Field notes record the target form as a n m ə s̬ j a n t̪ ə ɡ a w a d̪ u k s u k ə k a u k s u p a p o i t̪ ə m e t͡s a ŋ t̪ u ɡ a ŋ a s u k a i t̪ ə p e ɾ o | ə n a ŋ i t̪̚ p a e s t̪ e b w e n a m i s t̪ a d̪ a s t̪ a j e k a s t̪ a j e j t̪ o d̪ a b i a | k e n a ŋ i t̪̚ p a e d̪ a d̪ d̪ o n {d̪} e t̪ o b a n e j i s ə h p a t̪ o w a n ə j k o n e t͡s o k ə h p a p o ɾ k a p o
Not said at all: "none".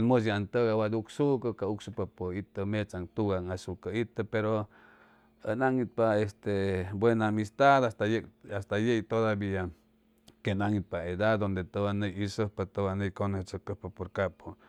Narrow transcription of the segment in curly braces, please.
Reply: d̪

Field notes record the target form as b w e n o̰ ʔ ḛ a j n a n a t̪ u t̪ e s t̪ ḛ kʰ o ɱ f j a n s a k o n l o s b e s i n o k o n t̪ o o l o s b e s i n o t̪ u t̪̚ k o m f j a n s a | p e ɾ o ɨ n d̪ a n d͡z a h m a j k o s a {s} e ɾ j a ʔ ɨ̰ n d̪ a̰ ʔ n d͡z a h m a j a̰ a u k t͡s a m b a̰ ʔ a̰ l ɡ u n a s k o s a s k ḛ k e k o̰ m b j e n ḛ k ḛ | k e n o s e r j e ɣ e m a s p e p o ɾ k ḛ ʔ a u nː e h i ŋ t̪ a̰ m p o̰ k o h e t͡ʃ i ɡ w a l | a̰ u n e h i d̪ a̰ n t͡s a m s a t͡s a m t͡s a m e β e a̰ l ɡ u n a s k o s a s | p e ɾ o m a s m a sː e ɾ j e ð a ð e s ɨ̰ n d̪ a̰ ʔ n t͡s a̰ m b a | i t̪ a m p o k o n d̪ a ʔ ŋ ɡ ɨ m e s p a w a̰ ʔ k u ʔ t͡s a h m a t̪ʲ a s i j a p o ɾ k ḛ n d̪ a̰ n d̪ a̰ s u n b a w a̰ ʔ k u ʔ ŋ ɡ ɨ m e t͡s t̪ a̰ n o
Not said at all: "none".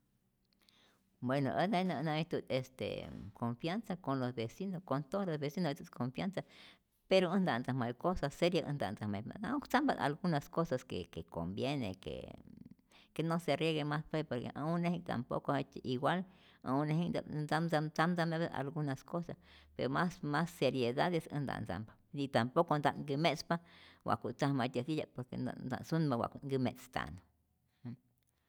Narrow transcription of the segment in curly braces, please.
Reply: s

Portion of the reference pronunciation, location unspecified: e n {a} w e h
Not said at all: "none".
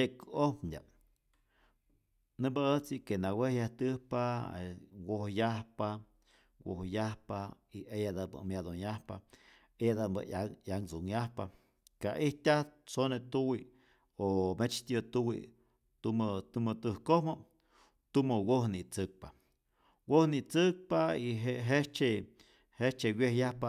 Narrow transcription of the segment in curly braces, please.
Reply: a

